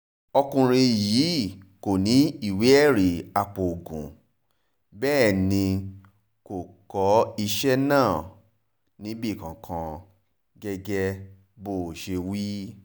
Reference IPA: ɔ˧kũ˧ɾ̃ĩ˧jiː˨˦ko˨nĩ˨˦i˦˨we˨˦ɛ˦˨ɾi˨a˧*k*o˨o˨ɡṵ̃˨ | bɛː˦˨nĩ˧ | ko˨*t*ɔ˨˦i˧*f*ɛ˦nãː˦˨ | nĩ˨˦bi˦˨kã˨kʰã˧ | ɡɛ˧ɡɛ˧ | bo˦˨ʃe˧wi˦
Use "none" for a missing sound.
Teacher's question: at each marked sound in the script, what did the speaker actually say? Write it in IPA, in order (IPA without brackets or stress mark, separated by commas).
k͡p, k, ʃ